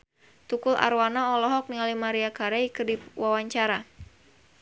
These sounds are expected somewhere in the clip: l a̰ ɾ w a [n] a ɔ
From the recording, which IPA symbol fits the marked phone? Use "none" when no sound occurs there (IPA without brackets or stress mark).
n